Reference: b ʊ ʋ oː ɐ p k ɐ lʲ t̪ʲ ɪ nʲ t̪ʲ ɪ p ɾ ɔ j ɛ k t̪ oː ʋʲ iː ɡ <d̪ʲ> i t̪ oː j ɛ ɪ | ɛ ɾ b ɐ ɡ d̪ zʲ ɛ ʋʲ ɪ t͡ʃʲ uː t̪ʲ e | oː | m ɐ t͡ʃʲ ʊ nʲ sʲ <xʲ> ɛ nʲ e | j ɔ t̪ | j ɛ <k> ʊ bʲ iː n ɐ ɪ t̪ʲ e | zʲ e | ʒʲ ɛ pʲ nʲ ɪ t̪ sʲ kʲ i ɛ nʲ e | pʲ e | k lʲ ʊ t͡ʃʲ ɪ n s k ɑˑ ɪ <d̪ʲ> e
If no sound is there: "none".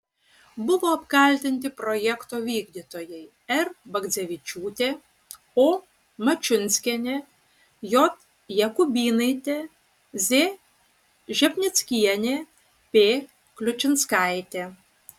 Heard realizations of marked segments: d̪ʲ, kʲ, k, t̪ʲ

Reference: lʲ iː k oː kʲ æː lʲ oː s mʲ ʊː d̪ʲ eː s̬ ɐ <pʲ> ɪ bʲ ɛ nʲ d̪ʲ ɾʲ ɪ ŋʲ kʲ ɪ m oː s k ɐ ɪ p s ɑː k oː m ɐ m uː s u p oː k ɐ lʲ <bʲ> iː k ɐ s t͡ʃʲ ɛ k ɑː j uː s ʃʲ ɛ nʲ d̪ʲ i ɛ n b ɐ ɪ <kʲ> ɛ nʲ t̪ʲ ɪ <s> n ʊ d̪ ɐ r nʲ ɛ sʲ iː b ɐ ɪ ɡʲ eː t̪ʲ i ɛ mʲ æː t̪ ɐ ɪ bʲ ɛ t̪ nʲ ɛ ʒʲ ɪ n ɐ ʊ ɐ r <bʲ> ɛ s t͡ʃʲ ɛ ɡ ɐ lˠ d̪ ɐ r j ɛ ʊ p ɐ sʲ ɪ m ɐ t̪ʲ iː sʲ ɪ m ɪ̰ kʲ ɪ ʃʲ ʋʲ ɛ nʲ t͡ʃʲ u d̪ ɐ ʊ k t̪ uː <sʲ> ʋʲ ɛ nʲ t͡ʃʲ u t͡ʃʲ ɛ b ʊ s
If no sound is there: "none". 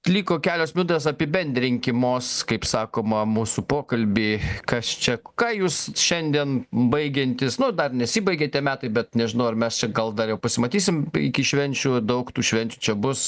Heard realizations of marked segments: pʲ, bʲ, ɡʲ, s, mʲ, ʃʲ

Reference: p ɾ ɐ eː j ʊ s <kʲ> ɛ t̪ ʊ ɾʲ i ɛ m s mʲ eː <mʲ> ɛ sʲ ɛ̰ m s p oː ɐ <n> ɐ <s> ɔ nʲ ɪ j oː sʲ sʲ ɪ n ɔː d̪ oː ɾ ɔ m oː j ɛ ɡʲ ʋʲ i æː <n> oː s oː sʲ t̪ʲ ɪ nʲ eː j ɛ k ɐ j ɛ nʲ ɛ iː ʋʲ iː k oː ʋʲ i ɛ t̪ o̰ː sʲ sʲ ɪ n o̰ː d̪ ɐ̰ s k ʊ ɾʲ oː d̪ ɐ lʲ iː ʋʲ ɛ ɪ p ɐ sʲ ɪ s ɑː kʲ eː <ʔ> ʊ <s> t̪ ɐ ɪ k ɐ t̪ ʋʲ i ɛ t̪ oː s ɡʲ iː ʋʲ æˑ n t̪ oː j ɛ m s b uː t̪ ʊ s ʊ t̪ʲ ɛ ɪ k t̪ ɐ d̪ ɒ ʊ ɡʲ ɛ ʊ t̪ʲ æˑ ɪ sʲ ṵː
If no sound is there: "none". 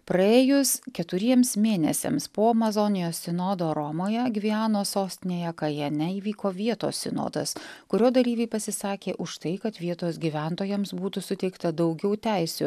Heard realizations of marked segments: kʲ, nʲ, m, z, n, ʔ, ʃ

